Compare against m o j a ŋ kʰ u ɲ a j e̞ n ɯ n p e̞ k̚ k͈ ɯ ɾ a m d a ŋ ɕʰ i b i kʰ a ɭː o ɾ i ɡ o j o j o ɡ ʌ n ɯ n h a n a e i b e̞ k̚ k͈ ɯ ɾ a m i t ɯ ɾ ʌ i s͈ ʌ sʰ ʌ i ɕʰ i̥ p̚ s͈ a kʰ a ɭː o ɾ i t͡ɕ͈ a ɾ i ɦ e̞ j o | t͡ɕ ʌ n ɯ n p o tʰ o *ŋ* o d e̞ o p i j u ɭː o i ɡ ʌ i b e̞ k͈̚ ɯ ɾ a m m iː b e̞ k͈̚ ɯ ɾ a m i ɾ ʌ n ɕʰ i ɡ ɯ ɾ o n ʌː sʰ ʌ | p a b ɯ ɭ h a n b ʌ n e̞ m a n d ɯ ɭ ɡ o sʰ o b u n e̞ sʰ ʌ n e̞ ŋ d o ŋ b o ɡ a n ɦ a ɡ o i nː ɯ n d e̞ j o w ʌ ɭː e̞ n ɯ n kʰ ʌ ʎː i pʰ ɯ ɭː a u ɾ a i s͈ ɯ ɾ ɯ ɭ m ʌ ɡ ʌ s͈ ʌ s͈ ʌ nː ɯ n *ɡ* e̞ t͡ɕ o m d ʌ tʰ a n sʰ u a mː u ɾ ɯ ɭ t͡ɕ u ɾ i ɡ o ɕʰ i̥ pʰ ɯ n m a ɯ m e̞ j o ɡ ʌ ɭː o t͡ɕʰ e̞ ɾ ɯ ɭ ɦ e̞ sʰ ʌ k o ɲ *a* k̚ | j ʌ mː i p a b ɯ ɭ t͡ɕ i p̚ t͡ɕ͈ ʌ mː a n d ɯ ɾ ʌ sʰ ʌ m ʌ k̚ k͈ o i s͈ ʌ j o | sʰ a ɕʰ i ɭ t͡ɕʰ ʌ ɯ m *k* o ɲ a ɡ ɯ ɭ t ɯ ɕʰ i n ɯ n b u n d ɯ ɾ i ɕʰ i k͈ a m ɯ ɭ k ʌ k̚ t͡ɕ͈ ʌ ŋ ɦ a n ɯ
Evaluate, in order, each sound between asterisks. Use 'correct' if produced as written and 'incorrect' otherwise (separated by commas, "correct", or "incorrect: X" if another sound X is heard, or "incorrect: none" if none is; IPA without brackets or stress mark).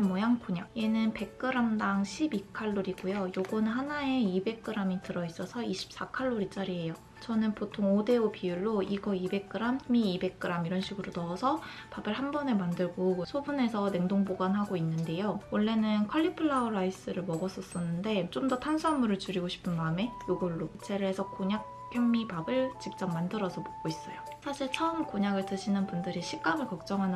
correct, incorrect: d, correct, correct